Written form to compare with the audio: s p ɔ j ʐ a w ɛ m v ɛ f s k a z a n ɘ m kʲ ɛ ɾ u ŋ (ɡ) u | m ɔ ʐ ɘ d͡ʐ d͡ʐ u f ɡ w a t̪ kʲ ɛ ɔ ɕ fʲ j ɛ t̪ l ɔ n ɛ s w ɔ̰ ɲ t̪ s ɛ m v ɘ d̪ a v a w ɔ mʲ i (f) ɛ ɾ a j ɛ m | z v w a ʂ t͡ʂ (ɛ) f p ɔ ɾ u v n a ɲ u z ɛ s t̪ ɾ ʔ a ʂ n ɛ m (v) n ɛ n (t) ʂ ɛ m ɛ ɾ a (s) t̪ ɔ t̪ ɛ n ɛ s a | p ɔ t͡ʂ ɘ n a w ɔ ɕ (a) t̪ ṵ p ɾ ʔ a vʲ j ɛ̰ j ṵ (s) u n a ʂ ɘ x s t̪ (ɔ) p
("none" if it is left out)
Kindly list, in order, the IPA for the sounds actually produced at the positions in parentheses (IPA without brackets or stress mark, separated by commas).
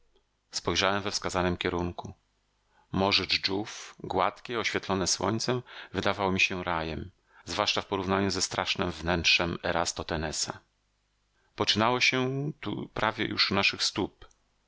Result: k, ɕ, a, v, t, s, ɛ, ʂ, u